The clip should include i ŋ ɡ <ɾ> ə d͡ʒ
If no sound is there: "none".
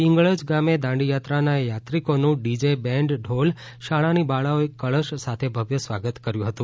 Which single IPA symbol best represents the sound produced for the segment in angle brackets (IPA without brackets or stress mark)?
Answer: ɭ